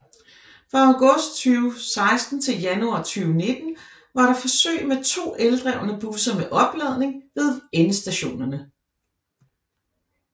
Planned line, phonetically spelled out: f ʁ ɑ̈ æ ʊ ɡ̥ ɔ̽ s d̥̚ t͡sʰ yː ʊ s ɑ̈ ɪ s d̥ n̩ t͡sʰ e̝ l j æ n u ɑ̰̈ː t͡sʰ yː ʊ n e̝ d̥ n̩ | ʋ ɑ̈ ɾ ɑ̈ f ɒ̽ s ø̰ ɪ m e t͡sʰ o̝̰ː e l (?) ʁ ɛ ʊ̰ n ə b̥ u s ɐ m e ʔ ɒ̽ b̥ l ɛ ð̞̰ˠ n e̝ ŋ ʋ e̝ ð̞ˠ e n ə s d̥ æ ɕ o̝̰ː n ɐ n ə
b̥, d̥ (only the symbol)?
d̥